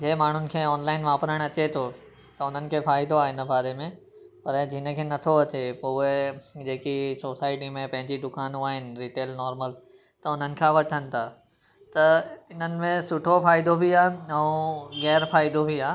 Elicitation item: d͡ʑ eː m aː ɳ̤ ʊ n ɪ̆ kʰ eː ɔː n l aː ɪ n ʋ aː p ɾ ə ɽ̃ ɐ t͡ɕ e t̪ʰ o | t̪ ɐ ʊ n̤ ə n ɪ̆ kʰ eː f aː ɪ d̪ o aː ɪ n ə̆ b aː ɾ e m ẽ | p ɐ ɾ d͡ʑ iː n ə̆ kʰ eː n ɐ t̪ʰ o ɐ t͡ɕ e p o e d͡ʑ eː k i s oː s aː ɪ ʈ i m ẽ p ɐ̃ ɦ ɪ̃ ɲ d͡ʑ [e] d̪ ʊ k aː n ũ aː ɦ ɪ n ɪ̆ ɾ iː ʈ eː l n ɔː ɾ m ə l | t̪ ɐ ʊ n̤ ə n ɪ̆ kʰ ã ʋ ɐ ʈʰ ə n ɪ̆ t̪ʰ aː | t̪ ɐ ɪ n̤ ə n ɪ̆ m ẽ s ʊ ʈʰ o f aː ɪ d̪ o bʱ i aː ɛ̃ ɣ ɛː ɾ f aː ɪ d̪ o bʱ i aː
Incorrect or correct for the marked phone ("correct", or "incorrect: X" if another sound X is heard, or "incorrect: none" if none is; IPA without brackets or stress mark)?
incorrect: i